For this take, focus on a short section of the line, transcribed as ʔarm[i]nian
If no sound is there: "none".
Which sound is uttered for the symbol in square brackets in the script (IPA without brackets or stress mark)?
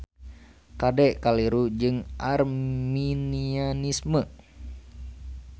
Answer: i